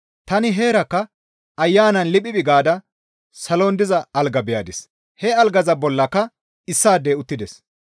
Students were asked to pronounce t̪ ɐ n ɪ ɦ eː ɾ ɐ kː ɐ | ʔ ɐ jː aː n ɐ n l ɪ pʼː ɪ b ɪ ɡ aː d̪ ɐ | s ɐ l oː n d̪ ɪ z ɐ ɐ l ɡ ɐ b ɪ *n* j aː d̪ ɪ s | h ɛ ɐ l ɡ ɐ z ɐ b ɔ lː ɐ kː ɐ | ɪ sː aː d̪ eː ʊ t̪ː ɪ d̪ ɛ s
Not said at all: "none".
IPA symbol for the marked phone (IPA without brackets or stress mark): none